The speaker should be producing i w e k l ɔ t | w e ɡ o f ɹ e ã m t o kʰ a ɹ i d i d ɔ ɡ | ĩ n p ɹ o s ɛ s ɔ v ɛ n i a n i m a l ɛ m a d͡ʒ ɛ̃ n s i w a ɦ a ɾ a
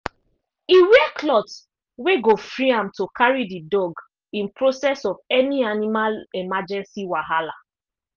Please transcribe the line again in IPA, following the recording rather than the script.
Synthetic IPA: i w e k l ɔ t | w e ɡ o f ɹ i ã m t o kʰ a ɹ i d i d ɔ ɡ | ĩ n p ɹ o s ɛ s ɔ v ɛ n i a n i m a l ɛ m a d͡ʒ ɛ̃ n s i w a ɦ a l a